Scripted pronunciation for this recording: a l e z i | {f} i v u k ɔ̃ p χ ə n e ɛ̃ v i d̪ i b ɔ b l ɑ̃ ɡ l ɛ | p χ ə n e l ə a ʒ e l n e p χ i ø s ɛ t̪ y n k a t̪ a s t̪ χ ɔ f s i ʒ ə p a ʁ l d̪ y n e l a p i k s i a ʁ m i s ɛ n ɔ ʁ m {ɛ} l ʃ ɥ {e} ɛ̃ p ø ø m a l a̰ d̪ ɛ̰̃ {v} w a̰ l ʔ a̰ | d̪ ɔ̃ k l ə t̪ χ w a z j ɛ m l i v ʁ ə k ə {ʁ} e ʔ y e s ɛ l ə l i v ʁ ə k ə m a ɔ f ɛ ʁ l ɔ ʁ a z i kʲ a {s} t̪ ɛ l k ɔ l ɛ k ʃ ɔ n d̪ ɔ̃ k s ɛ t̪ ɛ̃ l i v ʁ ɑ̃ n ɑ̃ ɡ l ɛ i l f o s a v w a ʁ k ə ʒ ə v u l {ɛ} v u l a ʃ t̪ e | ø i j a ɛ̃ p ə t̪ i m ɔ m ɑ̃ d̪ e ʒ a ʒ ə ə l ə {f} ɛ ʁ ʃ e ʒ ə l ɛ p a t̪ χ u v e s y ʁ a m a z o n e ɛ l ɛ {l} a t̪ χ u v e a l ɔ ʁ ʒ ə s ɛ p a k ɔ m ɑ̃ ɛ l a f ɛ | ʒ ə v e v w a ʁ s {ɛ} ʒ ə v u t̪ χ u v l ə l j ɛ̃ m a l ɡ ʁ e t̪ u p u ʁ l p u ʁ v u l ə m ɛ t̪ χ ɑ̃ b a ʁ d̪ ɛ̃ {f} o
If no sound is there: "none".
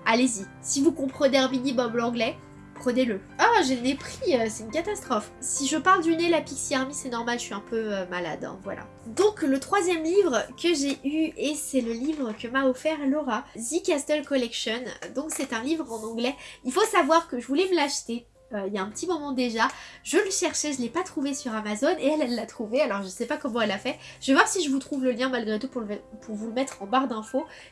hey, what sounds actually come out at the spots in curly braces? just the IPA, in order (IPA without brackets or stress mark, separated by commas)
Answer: s, a, i, v, ʒ, s, ɛ, ʃ, lː, i, f